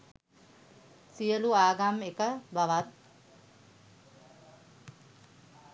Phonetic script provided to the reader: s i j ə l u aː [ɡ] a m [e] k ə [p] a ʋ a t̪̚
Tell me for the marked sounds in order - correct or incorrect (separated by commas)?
correct, correct, incorrect